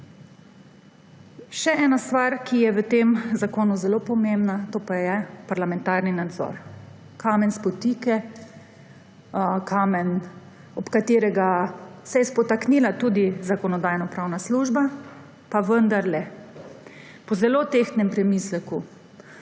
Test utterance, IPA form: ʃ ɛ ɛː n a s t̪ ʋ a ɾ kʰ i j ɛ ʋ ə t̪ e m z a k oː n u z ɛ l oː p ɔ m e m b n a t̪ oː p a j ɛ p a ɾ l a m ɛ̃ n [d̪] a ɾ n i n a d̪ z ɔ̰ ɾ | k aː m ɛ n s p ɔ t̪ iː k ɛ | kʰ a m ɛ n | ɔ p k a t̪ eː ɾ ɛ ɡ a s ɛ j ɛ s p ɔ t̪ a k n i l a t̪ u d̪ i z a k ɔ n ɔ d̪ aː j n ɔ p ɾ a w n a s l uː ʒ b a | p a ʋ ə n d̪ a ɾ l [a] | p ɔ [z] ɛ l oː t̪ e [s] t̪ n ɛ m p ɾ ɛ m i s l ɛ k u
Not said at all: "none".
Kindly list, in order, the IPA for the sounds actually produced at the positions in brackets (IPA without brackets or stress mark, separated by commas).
t̪, ɛ, z, x